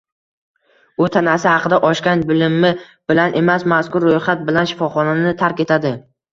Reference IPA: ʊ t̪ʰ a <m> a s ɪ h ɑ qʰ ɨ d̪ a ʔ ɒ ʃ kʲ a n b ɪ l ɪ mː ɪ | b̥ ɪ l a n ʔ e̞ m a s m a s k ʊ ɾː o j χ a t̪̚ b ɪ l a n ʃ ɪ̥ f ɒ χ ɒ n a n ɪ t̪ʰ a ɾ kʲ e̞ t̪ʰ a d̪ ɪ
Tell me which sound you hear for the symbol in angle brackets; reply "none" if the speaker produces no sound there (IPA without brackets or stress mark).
n